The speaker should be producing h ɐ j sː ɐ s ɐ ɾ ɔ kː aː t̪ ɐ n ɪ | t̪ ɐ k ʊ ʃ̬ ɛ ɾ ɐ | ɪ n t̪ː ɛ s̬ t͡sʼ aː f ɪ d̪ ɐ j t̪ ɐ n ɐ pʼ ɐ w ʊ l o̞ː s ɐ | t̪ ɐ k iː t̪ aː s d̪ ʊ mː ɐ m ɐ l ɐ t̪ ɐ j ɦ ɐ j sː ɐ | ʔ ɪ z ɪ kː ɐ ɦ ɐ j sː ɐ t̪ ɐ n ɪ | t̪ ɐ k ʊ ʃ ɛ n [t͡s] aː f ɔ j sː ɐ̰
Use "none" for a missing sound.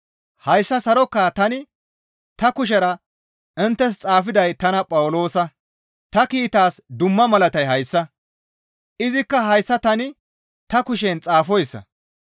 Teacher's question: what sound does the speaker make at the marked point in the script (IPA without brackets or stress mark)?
t͡sʼ